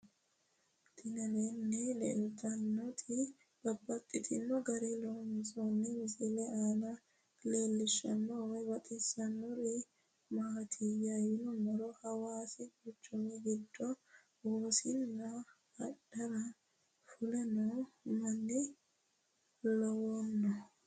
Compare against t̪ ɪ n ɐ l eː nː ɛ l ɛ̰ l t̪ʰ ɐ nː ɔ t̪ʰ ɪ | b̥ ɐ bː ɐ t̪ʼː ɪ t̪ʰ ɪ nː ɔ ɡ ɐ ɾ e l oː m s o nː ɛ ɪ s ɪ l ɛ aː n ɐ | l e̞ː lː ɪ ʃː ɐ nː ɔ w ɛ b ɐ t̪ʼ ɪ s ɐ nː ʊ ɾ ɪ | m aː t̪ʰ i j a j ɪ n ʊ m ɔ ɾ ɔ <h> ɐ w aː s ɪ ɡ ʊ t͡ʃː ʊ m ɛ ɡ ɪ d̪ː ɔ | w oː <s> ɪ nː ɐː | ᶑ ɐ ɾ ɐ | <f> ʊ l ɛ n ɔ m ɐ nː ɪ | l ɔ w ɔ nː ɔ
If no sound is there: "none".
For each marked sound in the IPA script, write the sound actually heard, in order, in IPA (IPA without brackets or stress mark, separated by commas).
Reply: h, s, f